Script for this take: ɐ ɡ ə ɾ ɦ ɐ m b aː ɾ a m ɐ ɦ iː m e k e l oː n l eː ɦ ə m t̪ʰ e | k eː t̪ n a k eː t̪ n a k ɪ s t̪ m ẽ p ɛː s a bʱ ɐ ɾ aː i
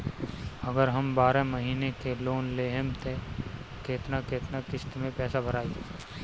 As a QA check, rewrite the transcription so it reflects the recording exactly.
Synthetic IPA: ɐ ɡ ə ɾ ɦ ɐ m b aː ɾ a m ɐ ɦ iː n e k e l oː n l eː ɦ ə m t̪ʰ e | k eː t̪ n a k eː t̪ n a k ɪ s t̪ m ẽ p ɛː s a bʱ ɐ ɾ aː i